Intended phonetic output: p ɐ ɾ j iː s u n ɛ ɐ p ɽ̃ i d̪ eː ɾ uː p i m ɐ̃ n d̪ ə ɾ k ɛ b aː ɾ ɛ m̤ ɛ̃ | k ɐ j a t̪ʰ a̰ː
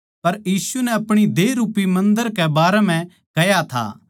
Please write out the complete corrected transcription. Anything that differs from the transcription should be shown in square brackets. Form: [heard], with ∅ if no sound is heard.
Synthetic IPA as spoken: p ɐ ɾ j iː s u n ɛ ɐ p ɽ̃ i d̪ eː ɾ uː p i m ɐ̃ n d̪ ə ɾ k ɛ b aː ɾ ɛ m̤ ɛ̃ | k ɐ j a t̪ʰ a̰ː

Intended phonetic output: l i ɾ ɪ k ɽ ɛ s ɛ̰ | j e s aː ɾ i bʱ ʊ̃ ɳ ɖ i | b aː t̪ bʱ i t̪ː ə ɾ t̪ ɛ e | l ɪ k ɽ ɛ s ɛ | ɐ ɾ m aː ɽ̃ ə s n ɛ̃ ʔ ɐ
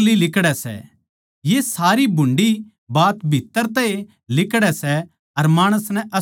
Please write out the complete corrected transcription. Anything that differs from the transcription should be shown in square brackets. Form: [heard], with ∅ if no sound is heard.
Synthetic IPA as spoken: l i [l] ɪ k ɽ ɛ s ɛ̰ | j e s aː ɾ i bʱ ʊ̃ ɳ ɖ i | b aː t̪ bʱ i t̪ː ə ɾ t̪ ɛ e | l ɪ k ɽ ɛ s ɛ | ɐ ɾ m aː ɽ̃ ə s n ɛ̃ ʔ ɐ

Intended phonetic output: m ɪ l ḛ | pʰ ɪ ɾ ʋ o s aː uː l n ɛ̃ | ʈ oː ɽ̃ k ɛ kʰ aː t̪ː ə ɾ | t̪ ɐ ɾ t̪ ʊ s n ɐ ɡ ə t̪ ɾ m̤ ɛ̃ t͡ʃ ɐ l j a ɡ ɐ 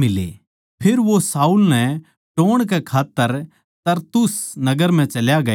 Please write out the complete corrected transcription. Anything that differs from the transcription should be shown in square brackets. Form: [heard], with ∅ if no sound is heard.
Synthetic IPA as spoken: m ɪ l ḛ | pʰ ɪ ɾ ʋ o s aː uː l n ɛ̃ | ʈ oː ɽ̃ k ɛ kʰ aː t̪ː ə ɾ | t̪ ɐ ɾ t̪ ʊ s n ɐ ɡ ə [∅] ɾ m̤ ɛ̃ t͡ʃ ɐ l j a ɡ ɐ

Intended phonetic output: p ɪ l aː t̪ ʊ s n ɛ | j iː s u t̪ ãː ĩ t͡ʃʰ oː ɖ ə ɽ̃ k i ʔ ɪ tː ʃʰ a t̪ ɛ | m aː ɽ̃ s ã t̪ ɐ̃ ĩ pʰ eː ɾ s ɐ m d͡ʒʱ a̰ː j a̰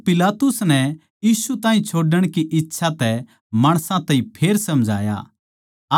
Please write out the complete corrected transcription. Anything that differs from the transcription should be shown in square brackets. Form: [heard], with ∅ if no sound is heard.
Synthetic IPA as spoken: p ɪ l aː t̪ ʊ s n ɛ | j iː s u t̪ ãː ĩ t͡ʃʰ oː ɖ ə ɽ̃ k i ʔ ɪ tː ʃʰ a t̪ ɛ | m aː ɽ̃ s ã t̪ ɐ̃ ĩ pʰ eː ɾ s ɐ m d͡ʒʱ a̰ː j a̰

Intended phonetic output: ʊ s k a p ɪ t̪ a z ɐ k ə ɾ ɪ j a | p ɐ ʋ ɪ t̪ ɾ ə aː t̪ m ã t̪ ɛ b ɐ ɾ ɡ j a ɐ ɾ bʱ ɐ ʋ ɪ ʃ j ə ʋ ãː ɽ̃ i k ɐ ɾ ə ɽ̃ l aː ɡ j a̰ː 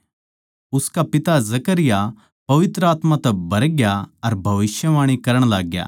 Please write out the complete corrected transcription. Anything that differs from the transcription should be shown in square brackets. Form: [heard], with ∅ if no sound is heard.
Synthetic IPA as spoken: ʊ s k a p ɪ t̪ a z ɐ k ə ɾ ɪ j a | p ɐ ʋ ɪ t̪ ɾ ə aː t̪ m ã t̪ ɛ b ɐ ɾ ɡ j a ɐ ɾ bʱ ɐ ʋ ɪ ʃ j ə ʋ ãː ɽ̃ i k ɐ ɾ ə ɽ̃ l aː ɡ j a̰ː

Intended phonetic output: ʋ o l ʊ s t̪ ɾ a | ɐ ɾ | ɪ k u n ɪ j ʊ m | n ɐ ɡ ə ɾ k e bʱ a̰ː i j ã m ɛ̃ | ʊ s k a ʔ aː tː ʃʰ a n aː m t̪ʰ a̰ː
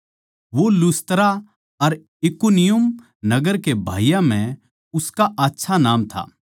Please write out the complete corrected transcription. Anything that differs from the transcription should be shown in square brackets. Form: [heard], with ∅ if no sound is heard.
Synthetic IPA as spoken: ʋ o l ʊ s t̪ ɾ a | ɐ ɾ | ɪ k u n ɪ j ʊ m | n ɐ ɡ ə ɾ k e bʱ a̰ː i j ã m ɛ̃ | ʊ s k a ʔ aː tː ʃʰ a n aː m t̪ʰ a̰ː

